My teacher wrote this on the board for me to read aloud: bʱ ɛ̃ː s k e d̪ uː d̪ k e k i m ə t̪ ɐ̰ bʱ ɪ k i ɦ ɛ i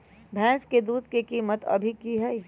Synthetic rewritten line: bʱ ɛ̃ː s k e d̪ uː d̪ k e k iː m ə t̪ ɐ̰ bʱ i k i ɦ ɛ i

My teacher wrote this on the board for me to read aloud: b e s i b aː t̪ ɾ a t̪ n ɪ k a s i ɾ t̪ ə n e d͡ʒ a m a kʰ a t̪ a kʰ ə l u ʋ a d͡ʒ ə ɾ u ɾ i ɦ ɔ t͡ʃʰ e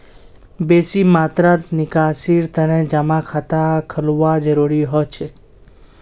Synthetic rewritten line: b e s i m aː t̪ ɾ a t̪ n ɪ k a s i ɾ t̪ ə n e d͡ʒ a m a kʰ a t̪ a kʰ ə l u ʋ a d͡ʒ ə ɾ u ɾ i ɦ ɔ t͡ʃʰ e

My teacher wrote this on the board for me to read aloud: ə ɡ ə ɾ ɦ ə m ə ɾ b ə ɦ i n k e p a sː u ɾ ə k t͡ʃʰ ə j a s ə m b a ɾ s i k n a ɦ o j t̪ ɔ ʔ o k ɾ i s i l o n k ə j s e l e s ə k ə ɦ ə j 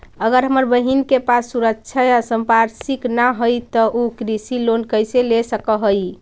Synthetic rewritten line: ə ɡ ə ɾ ɦ ə m ə ɾ b ə ɦ i n k e p a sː u ɾ ə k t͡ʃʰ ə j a s ə m p a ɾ s i k n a ɦ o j t̪ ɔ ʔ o k ɾ i s i l o n k ə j s e l e s ə k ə ɦ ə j

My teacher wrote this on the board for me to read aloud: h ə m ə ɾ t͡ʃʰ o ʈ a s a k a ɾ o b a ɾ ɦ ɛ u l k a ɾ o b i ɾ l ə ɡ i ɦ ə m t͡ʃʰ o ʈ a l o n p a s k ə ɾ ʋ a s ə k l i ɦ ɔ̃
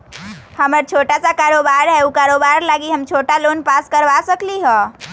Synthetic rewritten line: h ə m ə ɾ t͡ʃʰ o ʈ a s a k a ɾ o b a ɾ ɦ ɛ u k a ɾ o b a ɾ l a ɡ i ɦ ə m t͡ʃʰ o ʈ a l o n p a s k ə ɾ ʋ a s ə k l i ɦ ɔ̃

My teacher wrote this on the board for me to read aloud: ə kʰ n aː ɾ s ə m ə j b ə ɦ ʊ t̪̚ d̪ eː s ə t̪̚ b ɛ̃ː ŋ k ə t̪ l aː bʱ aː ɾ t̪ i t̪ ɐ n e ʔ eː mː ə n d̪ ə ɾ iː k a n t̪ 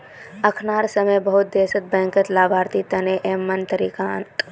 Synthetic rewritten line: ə kʰ n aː ɾ s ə m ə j b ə ɦ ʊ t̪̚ d̪ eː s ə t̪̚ b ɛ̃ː ŋ k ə t̪ l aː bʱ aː ɾ t̪ i t̪ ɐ n e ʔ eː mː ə n t̪ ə ɾ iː k a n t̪

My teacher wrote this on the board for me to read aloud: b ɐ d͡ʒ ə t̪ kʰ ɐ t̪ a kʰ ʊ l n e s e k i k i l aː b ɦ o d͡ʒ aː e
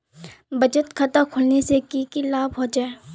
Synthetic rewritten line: b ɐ d͡ʒ ə t̪ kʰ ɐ t̪ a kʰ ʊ l n e s e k i k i l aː b ɦ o d͡ʒ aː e

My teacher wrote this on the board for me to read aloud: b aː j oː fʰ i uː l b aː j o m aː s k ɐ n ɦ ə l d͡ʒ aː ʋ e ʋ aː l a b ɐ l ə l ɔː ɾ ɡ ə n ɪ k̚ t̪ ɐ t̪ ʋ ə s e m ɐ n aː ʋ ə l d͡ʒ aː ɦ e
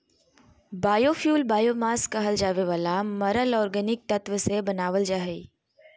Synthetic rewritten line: b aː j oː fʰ j uː l b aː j o m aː s k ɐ ɦ ə l d͡ʒ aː ʋ e ʋ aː l a m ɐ ɾ ə l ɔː ɾ ɡ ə n ɪ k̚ t̪ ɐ t̪ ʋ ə s e b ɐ n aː ʋ ə l d͡ʒ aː ɦ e

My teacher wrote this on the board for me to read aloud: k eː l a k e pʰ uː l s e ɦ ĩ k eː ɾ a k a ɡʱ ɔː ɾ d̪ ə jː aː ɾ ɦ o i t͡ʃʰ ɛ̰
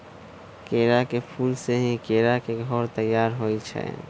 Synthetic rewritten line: k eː ɾ a k e pʰ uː l s e ɦ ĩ k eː ɾ a k e ɡʱ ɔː ɾ t̪ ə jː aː ɾ ɦ o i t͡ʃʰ ɛ̰

